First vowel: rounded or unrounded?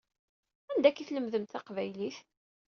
unrounded